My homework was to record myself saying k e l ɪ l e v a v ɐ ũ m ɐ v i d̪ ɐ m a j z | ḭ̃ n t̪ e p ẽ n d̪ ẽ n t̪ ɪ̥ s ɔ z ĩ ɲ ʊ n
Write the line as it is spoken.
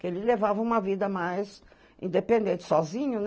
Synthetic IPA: k e l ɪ l e v a v ɐ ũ m ɐ v i d̪ ɐ m a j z | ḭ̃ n d̪ e p ẽ n d̪ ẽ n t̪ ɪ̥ s ɔ z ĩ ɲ ʊ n